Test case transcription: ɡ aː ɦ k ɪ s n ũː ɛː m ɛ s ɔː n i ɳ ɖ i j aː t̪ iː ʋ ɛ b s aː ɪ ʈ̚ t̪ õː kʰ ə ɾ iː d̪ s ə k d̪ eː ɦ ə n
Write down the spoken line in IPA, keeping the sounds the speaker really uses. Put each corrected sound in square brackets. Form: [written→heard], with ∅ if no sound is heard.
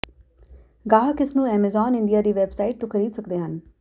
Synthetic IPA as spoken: ɡ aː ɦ k ɪ s n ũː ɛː m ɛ [s→z] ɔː n [i→ɪ] ɳ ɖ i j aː [t̪→d̪] iː ʋ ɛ b s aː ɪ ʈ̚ t̪ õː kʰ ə ɾ iː d̪ s ə k d̪ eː ɦ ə n